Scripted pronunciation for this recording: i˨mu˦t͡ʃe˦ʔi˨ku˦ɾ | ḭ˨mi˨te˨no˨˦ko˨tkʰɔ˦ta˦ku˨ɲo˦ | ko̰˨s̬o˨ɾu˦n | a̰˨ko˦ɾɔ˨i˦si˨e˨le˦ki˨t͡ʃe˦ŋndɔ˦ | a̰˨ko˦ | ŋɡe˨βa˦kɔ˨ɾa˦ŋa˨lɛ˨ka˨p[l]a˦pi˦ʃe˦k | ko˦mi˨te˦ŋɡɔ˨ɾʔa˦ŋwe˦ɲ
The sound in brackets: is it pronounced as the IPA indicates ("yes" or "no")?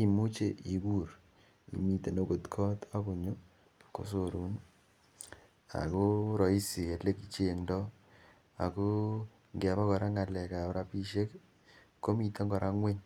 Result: no